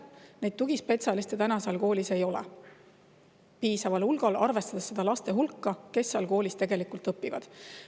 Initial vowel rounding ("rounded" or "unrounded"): unrounded